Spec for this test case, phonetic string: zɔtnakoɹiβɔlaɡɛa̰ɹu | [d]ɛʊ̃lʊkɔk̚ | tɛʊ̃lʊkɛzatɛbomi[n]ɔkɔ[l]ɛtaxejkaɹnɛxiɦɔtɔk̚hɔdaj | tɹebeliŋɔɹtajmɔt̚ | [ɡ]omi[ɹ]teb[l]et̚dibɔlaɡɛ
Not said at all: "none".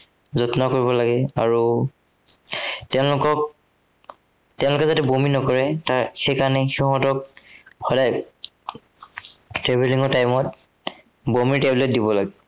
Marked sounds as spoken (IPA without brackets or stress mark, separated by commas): t, n, ɹ, b, ɹ, l